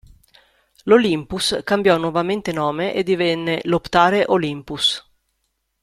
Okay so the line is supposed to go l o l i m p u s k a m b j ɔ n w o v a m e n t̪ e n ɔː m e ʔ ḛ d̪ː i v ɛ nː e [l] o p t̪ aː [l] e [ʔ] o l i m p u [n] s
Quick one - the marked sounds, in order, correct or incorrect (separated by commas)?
correct, incorrect, correct, incorrect